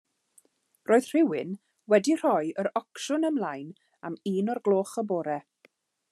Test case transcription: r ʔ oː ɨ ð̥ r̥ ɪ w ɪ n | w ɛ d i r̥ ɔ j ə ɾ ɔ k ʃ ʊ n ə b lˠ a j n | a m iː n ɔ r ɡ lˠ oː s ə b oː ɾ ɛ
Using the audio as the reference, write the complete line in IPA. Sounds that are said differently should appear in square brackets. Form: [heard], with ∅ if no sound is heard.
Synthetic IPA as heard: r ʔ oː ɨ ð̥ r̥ ɪ w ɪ n | w ɛ d i r̥ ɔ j ə ɾ ɔ k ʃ ʊ n ə [m] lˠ a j n | a m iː n ɔ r ɡ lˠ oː [χ] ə b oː ɾ ɛ